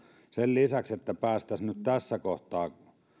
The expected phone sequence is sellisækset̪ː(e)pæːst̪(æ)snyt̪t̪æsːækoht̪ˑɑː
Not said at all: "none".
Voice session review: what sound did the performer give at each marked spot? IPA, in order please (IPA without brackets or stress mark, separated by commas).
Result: æ, æ